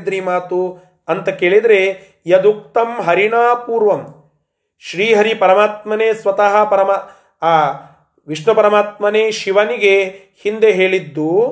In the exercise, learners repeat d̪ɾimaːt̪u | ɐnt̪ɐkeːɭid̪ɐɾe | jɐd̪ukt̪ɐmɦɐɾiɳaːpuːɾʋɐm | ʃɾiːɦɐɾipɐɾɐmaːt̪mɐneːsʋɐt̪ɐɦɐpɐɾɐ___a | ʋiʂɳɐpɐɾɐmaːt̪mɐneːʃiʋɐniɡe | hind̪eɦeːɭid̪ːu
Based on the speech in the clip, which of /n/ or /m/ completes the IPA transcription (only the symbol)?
m